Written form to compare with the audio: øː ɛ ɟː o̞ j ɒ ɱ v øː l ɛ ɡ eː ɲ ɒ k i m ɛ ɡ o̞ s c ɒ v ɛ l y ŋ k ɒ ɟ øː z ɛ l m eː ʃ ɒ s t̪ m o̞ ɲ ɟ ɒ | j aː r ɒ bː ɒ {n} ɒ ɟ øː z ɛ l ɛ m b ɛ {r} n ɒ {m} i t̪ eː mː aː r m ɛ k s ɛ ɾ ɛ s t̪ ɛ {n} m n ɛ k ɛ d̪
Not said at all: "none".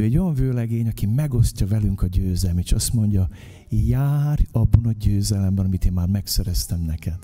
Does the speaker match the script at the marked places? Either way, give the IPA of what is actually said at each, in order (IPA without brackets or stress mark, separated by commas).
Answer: n, none, m, none